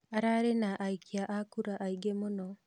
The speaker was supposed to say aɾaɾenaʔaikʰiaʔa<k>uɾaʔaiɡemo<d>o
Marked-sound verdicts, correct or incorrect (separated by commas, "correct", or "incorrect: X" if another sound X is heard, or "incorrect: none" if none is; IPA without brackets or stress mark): correct, incorrect: n